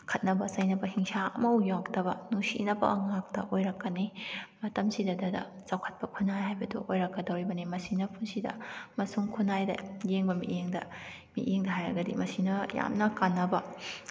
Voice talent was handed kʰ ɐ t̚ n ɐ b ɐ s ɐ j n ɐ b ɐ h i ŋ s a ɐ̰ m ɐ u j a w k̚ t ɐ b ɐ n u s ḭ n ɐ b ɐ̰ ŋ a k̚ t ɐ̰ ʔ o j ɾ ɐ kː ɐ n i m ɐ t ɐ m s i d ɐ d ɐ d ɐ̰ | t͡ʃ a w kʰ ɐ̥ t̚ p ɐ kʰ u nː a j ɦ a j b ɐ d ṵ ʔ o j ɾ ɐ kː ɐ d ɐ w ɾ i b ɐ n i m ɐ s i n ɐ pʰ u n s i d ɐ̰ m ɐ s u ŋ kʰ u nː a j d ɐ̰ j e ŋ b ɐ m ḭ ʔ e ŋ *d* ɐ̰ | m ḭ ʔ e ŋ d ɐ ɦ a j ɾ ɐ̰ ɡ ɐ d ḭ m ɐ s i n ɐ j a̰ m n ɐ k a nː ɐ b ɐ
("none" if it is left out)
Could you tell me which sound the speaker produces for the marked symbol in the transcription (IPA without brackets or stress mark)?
d